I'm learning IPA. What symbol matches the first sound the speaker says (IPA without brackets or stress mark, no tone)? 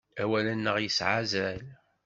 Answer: æ